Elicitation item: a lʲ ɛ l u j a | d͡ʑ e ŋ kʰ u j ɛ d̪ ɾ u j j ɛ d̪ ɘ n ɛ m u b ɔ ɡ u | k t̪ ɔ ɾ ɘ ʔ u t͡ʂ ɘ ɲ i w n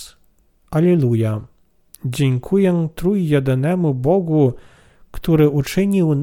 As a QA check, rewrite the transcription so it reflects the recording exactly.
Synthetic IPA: a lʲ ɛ l u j a | d͡ʑ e ŋ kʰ u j ɛ t̪ ɾ u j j ɛ d̪ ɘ n ɛ m u b ɔ ɡ u | k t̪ u ɾ ɘ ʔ u t͡ʂ ɘ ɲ i w n